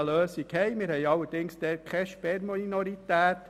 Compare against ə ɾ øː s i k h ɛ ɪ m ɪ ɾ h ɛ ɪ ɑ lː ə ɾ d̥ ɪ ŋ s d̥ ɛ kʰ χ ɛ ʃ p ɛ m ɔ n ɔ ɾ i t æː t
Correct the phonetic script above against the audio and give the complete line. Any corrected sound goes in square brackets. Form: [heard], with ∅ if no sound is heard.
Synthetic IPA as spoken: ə [l] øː s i k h ɛ ɪ m ɪ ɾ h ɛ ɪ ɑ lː ə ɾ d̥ ɪ ŋ s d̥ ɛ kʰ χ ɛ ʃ p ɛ m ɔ n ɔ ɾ i t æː t